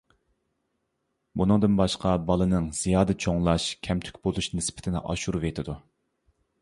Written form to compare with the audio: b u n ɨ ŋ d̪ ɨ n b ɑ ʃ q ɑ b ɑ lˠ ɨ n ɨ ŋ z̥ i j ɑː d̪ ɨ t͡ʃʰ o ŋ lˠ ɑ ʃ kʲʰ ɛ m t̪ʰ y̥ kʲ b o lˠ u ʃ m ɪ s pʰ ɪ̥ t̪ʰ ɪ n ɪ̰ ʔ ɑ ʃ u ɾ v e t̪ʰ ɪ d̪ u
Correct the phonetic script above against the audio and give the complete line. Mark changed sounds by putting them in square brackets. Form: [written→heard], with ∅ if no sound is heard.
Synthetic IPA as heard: b u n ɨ ŋ d̪ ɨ n b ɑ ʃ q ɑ b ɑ lˠ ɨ n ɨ ŋ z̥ i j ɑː d̪ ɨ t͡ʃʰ o ŋ lˠ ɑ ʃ kʲʰ ɛ m t̪ʰ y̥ kʲ b o lˠ u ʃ [m→n] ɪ s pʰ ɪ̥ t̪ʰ ɪ n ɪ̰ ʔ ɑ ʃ u ɾ v e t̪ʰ ɪ d̪ u